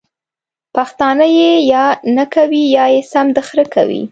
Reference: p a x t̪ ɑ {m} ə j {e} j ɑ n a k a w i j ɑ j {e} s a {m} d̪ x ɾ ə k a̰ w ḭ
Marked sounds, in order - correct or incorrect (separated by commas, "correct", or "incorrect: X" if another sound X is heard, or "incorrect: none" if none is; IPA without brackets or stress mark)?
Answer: incorrect: n, correct, correct, correct